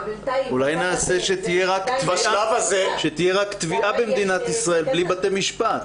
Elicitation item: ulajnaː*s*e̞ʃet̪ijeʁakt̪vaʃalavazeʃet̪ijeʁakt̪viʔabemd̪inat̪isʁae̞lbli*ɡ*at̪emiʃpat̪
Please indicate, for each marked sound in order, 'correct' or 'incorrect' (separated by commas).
correct, incorrect